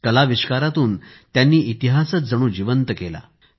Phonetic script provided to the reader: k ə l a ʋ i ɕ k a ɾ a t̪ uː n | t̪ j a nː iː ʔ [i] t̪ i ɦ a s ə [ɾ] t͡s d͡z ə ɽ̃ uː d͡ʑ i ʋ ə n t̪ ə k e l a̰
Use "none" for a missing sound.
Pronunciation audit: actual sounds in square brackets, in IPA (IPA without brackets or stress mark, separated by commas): i, none